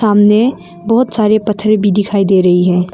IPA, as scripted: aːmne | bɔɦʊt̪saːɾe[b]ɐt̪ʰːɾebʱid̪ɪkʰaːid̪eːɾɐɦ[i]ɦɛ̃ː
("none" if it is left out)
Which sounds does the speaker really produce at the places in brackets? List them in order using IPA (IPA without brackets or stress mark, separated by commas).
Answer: p, i